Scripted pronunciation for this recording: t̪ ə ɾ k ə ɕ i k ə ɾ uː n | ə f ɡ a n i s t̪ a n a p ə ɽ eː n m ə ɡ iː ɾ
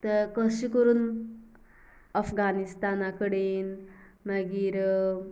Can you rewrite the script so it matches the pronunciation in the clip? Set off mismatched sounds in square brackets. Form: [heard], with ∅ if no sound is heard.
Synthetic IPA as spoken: t̪ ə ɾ k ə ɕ i k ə ɾ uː n | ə f ɡ a n i s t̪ a n a [k] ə ɽ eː n m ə ɡ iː ɾ